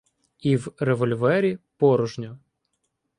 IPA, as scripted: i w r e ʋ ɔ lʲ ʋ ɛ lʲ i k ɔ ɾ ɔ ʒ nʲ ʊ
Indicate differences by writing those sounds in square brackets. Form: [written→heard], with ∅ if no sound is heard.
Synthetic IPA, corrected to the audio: i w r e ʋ ɔ lʲ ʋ ɛ [lʲ→ɾʲ] i [k→p] ɔ ɾ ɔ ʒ nʲ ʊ